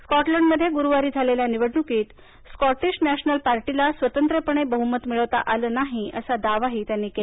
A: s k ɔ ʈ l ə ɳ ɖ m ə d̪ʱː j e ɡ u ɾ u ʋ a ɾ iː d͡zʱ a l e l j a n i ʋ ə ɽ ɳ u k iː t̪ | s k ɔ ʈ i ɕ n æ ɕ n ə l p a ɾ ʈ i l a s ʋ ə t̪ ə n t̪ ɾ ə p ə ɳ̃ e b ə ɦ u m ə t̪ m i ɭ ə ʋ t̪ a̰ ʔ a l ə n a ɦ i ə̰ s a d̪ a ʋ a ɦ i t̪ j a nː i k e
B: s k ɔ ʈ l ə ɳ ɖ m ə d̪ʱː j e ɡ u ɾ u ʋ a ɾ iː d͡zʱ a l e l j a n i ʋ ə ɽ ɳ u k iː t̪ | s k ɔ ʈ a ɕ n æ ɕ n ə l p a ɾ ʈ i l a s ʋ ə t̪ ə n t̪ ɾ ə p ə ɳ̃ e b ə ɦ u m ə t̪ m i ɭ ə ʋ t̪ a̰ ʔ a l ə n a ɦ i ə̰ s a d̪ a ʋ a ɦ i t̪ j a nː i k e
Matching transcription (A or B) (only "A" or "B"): A